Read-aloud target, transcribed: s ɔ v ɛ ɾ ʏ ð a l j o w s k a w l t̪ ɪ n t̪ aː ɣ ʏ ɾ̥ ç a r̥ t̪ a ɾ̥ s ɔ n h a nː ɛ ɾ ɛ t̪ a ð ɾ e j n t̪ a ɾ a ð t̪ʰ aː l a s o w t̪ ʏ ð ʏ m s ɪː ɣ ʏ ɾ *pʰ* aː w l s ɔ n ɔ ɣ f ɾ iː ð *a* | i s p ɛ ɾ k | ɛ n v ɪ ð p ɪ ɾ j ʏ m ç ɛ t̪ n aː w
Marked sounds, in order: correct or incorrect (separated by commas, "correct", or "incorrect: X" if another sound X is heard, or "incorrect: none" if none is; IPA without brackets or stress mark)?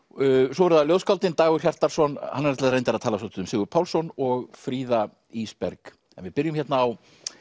correct, correct